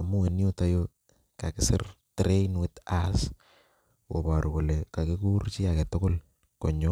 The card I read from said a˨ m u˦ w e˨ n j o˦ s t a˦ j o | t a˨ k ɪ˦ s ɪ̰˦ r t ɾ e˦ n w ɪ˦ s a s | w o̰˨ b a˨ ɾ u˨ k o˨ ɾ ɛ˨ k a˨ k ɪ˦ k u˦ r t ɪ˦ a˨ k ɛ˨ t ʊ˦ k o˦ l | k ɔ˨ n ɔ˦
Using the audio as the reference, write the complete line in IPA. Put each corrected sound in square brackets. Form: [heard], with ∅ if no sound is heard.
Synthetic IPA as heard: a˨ m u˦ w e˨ n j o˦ [∅] t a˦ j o | [k] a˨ k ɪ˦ s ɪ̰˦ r t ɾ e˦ n w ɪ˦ [t] a s | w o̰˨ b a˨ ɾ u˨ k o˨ [l] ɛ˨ k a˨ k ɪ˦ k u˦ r [t͡ʃ] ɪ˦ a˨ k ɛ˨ t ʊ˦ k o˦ l | k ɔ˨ [ɲ] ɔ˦

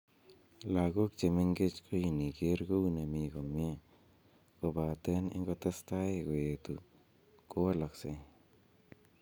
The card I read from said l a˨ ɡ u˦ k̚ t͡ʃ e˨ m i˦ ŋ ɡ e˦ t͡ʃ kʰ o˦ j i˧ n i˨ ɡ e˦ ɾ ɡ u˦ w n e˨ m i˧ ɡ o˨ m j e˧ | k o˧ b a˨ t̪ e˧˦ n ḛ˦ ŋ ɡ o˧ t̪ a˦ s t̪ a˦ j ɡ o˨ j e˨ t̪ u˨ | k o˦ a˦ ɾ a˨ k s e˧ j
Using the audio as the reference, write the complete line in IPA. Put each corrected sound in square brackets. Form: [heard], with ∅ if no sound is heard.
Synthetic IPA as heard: l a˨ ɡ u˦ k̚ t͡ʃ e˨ m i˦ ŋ ɡ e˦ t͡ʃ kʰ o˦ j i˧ n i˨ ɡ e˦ ɾ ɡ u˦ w n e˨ m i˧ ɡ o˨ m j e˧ | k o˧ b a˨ t̪ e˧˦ n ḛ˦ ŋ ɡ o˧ t̪ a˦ s t̪ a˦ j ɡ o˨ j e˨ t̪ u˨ | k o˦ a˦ [l] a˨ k s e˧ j

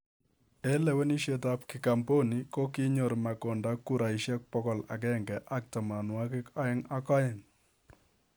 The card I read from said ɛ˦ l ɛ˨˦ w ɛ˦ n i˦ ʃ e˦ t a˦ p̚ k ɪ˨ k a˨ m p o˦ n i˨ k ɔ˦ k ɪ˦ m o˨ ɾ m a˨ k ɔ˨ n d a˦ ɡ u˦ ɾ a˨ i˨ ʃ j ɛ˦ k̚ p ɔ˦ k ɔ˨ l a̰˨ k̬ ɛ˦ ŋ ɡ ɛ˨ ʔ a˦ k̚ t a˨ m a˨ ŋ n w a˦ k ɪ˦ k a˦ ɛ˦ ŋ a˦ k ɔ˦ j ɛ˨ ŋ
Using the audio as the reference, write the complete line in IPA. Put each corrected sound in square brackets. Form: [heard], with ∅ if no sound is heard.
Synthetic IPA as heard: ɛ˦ l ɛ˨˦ w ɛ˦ n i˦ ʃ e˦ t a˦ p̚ k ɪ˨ k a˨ m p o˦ n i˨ k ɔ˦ k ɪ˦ [ɲ] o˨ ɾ m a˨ k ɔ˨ n d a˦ [k] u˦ ɾ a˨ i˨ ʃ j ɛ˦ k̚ p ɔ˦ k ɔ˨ l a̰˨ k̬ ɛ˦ ŋ ɡ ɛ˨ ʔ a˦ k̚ t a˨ m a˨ [∅] n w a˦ k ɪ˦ k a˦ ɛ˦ ŋ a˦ k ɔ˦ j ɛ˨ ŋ

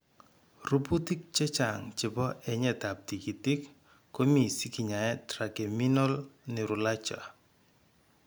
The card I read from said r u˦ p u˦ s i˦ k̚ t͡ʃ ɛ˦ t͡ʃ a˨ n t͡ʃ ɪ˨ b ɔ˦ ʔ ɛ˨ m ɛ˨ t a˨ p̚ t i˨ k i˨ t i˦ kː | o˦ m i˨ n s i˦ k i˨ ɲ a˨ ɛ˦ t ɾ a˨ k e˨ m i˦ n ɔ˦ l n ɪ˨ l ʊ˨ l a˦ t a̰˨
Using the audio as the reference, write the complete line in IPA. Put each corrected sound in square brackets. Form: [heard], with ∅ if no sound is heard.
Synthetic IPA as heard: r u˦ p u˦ [t] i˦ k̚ t͡ʃ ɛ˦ t͡ʃ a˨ [ŋ] t͡ʃ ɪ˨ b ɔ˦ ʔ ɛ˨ [ɲ] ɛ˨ t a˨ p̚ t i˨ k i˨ t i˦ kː | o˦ m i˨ [∅] s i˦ k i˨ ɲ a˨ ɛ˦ t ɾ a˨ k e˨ m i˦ n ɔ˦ l n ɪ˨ [ɾ] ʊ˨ l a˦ [t͡ʃ] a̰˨

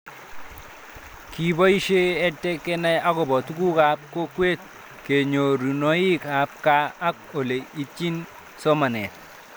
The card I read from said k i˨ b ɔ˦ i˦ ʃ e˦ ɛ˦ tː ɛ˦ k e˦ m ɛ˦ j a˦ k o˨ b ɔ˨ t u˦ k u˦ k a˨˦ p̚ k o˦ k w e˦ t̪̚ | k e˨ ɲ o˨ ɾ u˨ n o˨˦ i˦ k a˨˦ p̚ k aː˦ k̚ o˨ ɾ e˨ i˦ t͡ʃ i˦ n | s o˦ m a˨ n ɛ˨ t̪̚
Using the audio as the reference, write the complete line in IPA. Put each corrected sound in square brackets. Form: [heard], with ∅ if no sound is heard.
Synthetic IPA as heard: k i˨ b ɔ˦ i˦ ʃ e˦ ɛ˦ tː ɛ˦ k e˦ [n] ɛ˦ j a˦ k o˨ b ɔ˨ t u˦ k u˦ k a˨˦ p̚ k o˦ k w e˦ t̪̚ | k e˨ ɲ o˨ ɾ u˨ n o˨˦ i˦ k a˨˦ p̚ k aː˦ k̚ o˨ [l] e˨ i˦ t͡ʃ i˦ n | s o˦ m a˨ n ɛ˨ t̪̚

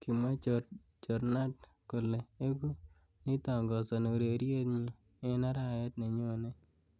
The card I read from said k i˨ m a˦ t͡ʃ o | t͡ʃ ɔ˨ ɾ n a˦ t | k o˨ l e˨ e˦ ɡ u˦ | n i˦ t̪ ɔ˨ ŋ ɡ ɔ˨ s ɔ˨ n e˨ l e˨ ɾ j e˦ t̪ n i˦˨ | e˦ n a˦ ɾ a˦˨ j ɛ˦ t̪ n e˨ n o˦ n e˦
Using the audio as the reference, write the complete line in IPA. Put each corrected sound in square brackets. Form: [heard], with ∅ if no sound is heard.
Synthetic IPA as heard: k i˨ m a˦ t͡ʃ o | t͡ʃ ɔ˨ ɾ n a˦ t | k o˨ l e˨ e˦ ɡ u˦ | n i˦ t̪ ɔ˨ ŋ ɡ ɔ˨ s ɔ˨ n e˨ [ɾ] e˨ ɾ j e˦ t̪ [ɲ] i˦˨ | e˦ n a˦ ɾ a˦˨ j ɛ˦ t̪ n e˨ [ɲ] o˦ n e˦

